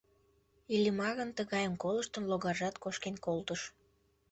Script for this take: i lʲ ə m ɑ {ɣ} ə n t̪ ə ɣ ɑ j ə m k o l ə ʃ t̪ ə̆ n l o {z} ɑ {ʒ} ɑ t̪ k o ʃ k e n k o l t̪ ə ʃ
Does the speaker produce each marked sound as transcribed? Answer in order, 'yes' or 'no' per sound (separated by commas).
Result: yes, no, yes